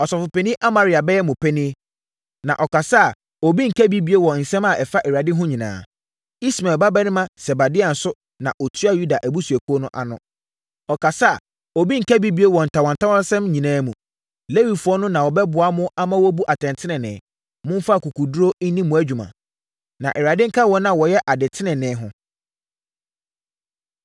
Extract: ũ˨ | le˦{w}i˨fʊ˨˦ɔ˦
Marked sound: correct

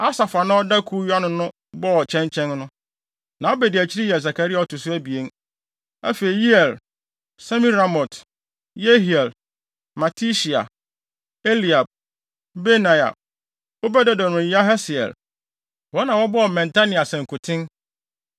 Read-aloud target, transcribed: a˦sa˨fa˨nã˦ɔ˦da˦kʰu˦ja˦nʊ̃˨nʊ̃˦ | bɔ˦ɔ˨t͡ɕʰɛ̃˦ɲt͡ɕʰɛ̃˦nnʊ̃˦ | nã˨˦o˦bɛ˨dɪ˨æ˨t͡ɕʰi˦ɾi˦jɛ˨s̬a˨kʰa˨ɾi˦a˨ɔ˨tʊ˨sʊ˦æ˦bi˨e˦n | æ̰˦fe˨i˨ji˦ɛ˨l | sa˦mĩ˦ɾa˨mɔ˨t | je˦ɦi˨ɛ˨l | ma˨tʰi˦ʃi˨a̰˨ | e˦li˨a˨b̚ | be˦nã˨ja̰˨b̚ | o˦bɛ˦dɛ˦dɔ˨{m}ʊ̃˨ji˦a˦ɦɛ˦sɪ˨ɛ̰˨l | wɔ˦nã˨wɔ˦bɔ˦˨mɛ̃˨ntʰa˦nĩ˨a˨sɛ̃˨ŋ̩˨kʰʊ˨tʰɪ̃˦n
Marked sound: incorrect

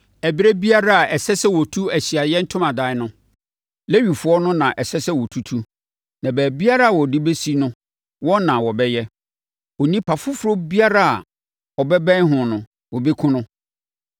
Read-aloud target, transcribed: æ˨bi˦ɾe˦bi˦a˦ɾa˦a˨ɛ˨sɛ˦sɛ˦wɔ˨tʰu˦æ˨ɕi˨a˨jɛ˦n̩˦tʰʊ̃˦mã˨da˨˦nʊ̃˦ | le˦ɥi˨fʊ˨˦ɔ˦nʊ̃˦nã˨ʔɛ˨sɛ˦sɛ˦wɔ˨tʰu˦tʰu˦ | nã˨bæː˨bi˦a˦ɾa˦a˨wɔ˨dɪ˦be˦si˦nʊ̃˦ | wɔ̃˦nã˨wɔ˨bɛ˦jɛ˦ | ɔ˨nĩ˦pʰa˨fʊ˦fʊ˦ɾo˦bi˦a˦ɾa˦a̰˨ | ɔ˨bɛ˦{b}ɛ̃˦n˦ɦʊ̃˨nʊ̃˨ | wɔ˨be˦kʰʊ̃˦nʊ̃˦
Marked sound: correct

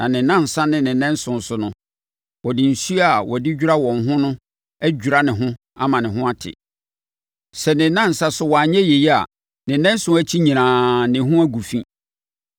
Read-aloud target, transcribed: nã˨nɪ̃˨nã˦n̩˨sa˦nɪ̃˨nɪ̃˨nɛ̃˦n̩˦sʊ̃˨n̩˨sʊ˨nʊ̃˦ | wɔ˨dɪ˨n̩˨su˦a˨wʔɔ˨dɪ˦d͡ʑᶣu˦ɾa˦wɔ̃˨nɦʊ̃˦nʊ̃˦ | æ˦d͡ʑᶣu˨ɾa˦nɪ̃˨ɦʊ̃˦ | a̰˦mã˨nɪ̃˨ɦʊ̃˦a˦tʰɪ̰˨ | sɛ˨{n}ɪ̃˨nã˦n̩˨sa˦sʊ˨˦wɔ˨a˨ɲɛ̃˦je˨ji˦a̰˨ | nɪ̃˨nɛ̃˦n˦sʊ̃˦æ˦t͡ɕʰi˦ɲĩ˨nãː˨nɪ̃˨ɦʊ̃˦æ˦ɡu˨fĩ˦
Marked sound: correct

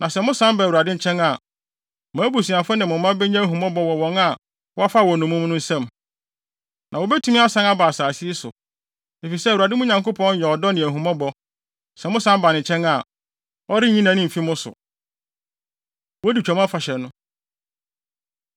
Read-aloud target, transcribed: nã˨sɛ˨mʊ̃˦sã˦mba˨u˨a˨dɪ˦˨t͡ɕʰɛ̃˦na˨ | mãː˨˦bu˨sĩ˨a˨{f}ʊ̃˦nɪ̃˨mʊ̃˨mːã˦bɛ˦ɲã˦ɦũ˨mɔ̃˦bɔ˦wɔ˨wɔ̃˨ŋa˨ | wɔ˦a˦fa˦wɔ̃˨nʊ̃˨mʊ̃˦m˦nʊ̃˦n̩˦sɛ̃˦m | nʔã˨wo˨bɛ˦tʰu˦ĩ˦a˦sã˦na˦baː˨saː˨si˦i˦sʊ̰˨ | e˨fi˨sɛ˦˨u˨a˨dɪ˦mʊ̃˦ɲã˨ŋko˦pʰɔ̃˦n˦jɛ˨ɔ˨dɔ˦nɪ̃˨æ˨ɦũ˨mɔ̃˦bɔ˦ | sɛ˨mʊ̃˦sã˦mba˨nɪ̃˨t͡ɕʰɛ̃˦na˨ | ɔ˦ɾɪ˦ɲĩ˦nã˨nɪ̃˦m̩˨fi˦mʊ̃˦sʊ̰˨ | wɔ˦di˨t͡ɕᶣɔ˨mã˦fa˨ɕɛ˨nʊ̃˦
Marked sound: correct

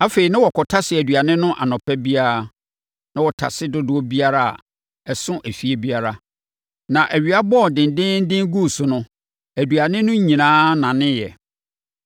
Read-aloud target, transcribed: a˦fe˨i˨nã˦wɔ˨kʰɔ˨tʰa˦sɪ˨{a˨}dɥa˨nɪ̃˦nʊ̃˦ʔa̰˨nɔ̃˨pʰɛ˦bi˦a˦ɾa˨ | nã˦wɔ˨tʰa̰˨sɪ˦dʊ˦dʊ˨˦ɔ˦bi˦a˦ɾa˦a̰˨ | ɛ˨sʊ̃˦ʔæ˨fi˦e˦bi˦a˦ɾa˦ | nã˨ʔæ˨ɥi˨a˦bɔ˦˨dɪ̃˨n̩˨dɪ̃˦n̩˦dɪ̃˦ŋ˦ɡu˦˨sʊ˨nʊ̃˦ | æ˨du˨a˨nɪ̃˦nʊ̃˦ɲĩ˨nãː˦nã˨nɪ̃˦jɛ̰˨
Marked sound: incorrect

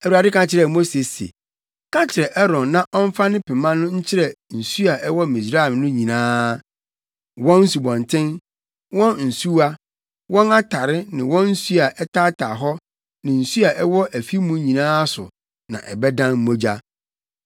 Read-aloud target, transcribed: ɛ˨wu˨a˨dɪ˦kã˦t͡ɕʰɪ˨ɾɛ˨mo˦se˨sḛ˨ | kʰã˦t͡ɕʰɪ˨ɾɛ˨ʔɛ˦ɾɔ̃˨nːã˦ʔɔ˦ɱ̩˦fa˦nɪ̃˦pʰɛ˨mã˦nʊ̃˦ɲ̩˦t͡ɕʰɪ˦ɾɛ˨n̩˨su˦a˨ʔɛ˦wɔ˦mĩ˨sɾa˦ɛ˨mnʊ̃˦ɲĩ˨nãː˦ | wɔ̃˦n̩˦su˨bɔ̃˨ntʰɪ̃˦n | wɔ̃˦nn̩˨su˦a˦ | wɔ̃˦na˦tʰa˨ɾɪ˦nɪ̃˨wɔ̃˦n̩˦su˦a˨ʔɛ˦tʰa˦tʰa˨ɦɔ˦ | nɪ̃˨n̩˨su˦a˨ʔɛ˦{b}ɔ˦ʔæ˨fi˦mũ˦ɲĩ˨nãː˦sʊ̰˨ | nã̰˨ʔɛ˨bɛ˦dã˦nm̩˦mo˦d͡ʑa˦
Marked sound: incorrect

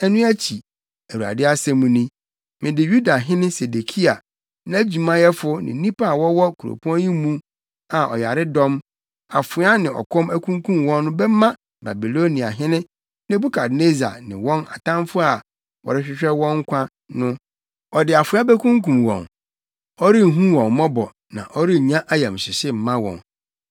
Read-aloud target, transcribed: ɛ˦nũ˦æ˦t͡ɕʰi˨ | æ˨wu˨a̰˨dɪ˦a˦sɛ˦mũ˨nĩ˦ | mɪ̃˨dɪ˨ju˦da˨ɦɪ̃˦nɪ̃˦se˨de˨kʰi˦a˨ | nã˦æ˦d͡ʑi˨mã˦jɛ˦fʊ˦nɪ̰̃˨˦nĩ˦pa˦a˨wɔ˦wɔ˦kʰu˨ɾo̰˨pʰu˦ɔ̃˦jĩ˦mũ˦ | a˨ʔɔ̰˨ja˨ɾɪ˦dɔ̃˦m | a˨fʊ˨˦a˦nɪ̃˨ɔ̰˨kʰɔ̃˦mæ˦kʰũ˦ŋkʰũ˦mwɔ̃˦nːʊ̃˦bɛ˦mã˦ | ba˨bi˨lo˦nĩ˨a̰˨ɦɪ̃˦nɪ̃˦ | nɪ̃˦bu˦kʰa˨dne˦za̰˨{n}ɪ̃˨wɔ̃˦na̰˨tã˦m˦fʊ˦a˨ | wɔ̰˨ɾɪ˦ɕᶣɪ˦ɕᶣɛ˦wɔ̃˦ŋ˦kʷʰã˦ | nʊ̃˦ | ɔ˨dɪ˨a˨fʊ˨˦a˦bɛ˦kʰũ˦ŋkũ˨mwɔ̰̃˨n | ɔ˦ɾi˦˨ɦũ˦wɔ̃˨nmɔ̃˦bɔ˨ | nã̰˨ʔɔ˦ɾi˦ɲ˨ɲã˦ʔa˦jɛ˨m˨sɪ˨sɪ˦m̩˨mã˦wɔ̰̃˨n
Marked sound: correct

